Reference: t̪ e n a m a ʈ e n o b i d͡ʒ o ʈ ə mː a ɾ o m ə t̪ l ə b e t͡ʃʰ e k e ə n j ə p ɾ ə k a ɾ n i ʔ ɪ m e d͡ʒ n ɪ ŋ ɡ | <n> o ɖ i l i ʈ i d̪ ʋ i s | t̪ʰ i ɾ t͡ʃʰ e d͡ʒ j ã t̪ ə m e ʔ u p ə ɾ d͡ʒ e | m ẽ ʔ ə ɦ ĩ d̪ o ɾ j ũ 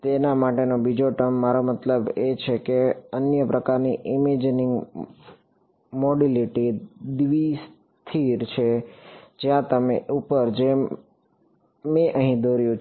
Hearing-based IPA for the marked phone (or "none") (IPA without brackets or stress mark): m